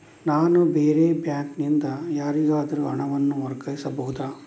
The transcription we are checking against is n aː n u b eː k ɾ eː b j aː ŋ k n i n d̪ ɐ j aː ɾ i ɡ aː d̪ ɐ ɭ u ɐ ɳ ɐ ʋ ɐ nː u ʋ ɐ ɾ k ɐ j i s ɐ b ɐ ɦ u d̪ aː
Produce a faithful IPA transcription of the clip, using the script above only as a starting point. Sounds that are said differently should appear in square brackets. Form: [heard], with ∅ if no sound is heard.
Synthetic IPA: n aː n u b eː [∅] ɾ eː b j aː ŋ k n i n d̪ ɐ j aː ɾ i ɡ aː d̪ ɐ [ɾ] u ɐ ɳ ɐ ʋ ɐ nː u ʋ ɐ ɾ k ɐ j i s ɐ b ɐ ɦ u d̪ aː